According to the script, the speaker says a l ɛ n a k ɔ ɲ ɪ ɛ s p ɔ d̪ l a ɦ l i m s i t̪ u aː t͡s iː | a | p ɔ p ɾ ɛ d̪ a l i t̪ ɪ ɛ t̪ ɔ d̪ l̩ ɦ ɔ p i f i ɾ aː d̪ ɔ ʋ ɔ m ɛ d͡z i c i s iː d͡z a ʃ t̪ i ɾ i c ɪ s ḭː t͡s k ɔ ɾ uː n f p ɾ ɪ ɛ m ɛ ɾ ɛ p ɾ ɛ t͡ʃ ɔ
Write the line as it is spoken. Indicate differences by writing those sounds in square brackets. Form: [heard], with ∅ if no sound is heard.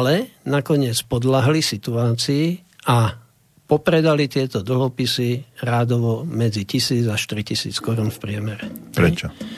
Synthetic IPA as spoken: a l ɛ n a k ɔ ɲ ɪ ɛ [t͡s] p ɔ d̪ l a ɦ l i [∅] s i t̪ u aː t͡s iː | a | p ɔ p ɾ ɛ d̪ a l i t̪ ɪ ɛ t̪ ɔ d̪ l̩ ɦ ɔ p i [s] i ɾ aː d̪ ɔ ʋ ɔ m ɛ d͡z i c i s iː d͡z a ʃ t̪ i ɾ i c [i] s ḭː t͡s k ɔ ɾ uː n f p ɾ ɪ ɛ m ɛ ɾ ɛ p ɾ ɛ t͡ʃ ɔ